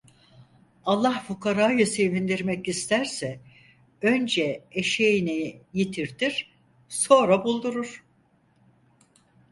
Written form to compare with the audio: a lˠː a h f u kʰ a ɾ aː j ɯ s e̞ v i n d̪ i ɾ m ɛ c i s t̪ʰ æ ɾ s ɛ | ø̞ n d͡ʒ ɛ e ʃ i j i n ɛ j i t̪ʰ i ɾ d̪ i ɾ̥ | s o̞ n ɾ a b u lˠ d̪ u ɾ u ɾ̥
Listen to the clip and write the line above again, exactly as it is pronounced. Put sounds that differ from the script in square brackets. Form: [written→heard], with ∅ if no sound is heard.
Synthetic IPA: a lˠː a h f u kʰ a ɾ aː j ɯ s e̞ v i n d̪ i ɾ m ɛ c i s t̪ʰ æ ɾ s ɛ | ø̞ n d͡ʒ ɛ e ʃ [i→e] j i n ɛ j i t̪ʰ i ɾ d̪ i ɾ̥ | s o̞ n ɾ a b u lˠ d̪ u ɾ u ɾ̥